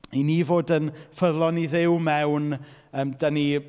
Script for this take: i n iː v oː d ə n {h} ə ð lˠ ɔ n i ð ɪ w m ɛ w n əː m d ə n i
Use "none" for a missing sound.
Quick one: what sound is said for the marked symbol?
f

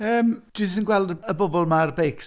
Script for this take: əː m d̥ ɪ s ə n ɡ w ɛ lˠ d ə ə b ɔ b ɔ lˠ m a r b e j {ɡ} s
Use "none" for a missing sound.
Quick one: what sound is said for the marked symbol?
k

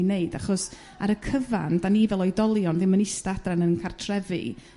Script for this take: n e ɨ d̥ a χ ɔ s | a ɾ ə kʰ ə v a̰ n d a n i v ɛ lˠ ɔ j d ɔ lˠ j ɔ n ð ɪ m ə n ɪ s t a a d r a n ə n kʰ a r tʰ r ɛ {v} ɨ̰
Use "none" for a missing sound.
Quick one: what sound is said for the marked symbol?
v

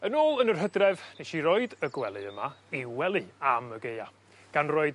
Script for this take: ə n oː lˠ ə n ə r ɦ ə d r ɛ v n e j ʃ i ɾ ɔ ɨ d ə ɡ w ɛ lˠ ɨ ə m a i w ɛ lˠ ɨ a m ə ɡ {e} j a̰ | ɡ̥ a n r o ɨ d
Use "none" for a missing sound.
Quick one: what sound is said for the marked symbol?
e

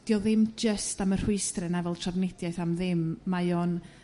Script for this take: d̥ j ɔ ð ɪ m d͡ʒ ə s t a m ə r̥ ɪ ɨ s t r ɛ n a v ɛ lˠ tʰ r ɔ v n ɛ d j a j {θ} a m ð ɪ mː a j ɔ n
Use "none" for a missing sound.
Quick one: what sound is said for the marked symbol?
θ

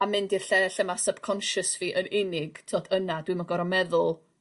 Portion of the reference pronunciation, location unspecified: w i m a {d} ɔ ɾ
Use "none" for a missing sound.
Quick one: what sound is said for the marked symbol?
ɡ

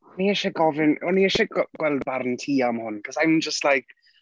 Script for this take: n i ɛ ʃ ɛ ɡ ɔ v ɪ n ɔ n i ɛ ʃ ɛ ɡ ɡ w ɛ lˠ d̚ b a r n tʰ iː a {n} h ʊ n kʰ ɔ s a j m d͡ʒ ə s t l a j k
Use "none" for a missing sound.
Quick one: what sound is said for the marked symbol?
m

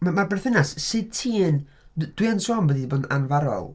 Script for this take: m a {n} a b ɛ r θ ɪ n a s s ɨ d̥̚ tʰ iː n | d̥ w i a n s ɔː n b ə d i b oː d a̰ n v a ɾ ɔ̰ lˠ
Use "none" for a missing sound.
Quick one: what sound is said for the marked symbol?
m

